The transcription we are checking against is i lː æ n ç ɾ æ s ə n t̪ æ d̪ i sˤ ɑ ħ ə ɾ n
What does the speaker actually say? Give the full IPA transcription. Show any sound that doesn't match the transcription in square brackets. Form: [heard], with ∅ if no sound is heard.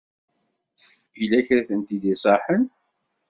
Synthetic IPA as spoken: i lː æ [∅] ç ɾ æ [θ] ə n t̪ [i] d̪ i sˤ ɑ ħ ə [∅] n